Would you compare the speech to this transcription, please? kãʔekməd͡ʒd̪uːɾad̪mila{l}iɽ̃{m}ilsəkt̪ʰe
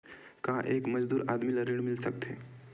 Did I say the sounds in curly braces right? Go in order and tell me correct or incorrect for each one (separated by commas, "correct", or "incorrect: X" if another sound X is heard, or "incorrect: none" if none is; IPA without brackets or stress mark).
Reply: incorrect: ɾ, correct